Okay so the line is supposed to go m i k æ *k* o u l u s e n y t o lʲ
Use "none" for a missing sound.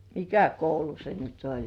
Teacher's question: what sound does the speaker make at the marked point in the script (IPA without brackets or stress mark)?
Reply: k